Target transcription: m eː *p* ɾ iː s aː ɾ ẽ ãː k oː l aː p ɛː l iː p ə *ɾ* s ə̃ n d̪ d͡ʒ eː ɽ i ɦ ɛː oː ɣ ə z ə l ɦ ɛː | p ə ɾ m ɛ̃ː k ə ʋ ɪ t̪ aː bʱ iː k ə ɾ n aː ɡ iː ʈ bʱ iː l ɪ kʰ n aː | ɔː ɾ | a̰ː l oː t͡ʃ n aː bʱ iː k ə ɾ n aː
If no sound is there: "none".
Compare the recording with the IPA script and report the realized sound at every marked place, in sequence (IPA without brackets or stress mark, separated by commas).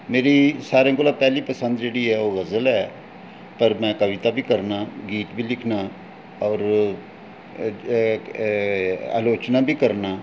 none, none